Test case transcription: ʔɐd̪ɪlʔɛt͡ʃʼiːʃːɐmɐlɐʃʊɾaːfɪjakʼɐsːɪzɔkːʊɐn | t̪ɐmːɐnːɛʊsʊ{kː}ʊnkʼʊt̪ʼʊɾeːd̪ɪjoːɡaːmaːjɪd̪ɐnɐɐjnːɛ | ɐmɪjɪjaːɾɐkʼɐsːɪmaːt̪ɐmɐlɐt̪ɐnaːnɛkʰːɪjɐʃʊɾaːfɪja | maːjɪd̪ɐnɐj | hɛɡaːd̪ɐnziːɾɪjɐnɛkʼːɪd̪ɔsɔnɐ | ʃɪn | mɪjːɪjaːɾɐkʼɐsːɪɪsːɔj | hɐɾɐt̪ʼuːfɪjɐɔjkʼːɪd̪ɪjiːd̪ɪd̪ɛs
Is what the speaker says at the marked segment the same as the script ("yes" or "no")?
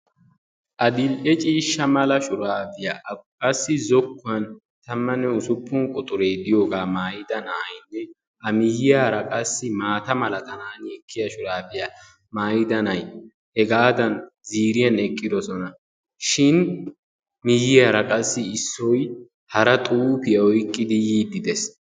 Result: no